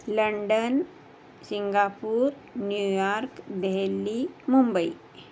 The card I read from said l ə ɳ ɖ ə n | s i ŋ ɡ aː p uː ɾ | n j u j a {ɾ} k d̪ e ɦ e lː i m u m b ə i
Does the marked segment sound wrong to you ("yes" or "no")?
no